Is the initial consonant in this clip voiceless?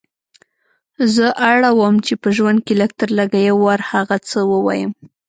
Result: no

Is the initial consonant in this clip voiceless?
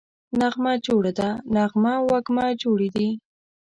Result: no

